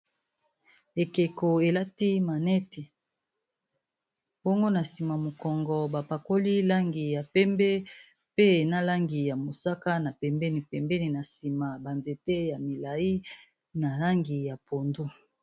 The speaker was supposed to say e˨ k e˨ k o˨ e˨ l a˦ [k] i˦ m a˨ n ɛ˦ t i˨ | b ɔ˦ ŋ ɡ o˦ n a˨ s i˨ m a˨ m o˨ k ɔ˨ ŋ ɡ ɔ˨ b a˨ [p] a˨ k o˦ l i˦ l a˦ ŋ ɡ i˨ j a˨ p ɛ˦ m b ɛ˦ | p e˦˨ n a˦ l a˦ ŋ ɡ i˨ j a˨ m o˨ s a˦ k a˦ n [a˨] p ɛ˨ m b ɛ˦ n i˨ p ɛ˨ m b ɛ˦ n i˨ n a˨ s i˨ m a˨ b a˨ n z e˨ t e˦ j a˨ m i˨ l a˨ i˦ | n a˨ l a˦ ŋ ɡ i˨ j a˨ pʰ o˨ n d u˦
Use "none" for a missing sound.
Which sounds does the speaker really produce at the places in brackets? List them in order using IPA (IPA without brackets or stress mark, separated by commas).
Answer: t, p, a˨